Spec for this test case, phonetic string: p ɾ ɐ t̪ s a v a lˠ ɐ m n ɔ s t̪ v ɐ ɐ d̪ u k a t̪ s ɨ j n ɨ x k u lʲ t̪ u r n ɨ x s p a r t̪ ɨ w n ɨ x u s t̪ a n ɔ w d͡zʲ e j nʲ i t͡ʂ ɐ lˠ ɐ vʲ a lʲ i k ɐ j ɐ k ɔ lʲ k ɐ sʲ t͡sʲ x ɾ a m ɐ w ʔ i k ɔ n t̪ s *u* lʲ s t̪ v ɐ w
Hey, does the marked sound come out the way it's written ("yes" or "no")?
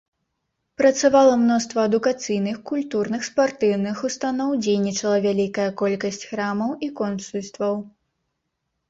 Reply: yes